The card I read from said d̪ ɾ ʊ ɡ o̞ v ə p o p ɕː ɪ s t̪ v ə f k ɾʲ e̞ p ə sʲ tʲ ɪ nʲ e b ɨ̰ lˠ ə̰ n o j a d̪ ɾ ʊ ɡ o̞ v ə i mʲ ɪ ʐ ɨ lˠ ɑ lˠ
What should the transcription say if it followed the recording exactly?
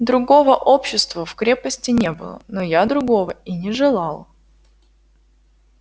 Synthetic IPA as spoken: d̪ ɾ ʊ ɡ o̞ v ə ʔ o p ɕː ɪ s t̪ v ə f k ɾʲ e̞ p ə sʲ tʲ ɪ nʲ e b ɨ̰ lˠ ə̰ n o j a d̪ ɾ ʊ ɡ o̞ v ə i nʲ ɪ ʐ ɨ lˠ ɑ lˠ